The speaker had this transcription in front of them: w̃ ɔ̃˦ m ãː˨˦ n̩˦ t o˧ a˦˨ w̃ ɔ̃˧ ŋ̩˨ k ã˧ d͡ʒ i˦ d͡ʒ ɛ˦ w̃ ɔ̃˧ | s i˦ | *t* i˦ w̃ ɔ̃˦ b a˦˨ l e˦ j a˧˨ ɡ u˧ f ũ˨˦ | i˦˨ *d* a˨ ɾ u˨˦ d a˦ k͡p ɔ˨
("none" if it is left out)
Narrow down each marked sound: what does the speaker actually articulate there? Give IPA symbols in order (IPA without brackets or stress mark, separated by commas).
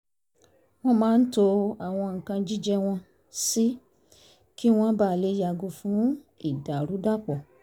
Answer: k, d